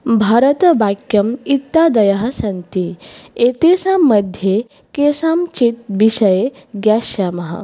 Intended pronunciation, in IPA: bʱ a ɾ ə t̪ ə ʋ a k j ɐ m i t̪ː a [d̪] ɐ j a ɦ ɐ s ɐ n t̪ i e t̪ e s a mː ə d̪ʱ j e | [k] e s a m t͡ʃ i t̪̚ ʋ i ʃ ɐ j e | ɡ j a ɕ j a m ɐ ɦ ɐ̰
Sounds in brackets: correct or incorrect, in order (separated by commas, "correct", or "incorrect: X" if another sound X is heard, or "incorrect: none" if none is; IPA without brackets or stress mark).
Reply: correct, correct